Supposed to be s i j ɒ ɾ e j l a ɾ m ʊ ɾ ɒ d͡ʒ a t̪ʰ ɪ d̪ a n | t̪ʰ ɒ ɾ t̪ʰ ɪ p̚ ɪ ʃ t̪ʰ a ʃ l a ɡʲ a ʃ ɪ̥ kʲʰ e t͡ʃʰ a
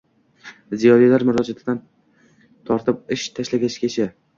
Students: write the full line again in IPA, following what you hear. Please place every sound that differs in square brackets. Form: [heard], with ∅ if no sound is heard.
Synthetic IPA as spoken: [z] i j ɒ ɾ [i] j l a ɾ m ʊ ɾ ɒ d͡ʒ a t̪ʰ ɪ d̪ a n | t̪ʰ ɒ ɾ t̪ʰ ɪ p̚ ɪ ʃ t̪ʰ a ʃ l a ɡʲ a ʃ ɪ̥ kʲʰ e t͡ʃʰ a